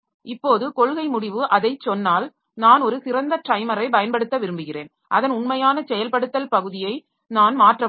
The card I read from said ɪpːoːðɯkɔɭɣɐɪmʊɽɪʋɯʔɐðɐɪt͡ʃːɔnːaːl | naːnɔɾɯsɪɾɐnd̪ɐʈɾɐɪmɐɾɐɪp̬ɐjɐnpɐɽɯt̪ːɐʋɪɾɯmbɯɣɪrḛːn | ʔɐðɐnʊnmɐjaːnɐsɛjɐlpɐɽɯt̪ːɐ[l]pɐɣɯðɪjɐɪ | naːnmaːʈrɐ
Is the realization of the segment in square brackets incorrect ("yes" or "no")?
no